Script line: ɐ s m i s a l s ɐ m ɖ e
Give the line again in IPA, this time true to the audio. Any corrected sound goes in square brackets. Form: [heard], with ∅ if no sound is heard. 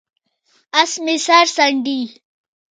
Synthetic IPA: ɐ s m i s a [ɾ] s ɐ [ɳ] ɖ [i]

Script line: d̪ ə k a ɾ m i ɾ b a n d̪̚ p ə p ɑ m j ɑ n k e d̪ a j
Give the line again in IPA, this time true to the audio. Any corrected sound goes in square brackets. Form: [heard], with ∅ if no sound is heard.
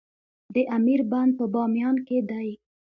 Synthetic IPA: d̪ ə [ʔ] a [∅] m i ɾ b a n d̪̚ p ə [b] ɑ m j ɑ n k e d̪ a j

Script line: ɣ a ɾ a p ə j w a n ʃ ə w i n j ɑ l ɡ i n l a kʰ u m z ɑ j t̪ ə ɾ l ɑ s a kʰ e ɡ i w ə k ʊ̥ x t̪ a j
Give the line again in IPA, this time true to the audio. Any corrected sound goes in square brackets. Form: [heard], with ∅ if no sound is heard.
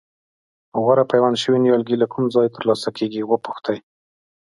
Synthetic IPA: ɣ a ɾ a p [a] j w a n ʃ ə w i n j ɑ l ɡ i [∅] l a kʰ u m z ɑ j t̪ ə ɾ l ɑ s a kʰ e ɡ i w ə [p] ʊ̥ x t̪ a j

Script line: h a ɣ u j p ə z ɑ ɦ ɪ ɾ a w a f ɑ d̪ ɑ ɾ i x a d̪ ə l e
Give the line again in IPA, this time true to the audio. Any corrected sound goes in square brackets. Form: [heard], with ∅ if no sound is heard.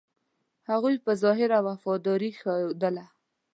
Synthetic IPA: h a ɣ u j p ə z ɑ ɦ ɪ ɾ a w a f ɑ d̪ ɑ ɾ i x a d̪ ə l [a]

